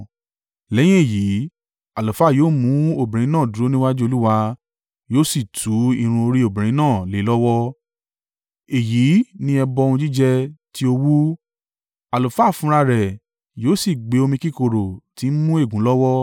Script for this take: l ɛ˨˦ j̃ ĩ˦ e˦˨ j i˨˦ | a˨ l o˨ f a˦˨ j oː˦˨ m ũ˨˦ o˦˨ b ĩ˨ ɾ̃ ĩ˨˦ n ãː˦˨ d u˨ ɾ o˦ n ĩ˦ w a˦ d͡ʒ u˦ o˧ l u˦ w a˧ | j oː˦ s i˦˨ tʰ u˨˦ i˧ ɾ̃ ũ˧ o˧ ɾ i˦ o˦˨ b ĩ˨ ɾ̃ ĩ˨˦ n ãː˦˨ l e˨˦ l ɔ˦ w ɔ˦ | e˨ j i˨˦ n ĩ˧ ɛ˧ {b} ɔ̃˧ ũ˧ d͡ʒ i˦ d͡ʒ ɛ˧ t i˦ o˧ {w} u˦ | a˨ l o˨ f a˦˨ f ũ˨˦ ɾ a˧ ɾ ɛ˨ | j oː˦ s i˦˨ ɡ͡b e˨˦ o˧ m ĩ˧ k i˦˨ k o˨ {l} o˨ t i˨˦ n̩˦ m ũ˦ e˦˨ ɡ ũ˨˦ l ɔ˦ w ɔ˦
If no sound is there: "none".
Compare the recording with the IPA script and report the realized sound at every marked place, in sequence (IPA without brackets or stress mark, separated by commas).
b, w, ɾ